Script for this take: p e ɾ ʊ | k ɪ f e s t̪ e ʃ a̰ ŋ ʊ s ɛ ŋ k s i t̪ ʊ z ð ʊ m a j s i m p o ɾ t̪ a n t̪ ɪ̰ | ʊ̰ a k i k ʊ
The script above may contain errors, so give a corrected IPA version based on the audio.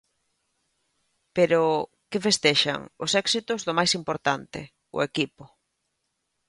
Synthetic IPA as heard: p e ɾ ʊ | k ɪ f e s t̪ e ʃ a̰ ŋ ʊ s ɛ k s i t̪ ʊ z ð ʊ m a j s i m p o ɾ t̪ a n t̪ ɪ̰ | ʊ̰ e k i p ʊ